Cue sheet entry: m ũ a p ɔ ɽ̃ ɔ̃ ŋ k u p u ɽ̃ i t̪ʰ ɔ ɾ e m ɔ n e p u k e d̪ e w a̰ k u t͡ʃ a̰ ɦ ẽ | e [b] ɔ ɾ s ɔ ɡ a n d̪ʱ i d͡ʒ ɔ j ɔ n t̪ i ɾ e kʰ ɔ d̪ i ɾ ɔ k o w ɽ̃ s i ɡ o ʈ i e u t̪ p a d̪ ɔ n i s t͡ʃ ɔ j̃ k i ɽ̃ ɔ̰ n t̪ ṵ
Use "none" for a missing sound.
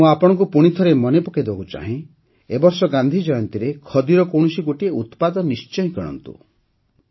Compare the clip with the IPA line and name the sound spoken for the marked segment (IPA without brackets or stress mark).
b